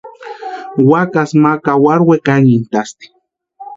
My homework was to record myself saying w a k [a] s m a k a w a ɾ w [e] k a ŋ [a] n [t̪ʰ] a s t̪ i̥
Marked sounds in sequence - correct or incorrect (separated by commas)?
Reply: correct, correct, incorrect, incorrect